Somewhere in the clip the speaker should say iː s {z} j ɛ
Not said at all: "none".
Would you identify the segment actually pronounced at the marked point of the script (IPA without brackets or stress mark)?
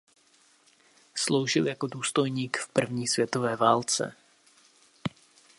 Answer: v